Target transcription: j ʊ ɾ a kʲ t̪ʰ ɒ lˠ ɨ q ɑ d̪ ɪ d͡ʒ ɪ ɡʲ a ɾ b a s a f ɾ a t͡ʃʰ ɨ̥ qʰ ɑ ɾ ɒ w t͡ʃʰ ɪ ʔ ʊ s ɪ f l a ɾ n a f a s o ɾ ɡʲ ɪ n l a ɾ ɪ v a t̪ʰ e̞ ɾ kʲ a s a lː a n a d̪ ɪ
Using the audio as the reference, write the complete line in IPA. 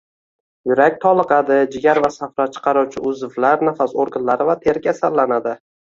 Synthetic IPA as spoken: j ʊ ɾ a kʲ t̪ʰ ɒ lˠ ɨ q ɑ d̪ ɪ d͡ʒ ɪ ɡʲ a ɾ v a s a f ɾ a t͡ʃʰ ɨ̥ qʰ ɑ ɾ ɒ w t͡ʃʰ ɪ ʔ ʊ z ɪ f l a ɾ n a f a s o ɾ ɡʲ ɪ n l a ɾ ɪ v a t̪ʰ e̞ ɾ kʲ a s a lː a n a d̪ ɪ